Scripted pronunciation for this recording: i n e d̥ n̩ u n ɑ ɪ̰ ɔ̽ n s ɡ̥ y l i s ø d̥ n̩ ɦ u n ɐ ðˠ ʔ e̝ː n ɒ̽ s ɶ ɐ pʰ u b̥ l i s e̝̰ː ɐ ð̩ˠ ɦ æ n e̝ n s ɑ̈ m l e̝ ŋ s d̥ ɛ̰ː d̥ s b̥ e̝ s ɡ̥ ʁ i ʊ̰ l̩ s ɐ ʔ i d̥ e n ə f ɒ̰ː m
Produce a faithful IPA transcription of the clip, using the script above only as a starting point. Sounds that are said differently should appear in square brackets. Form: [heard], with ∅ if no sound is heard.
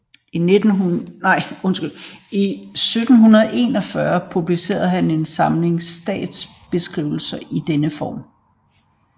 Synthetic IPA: i n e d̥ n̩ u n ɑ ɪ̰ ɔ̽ n s ɡ̥ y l i s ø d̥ n̩ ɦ u n ɐ ðˠ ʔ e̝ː n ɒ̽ [f] ɶ ɐ pʰ u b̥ l i s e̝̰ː ɐ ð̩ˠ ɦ æ n e̝ n s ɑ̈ m l e̝ ŋ s d̥ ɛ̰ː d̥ s b̥ e̝ s ɡ̥ ʁ i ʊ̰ l̩ s ɐ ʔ i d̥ e n ə f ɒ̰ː m